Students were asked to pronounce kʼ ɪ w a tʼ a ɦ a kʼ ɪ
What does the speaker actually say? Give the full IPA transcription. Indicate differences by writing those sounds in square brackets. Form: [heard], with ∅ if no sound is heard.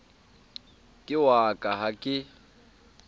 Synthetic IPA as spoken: kʼ ɪ w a [kʼ] a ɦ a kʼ ɪ